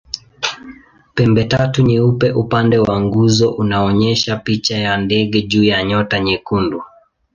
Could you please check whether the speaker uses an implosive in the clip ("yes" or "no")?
yes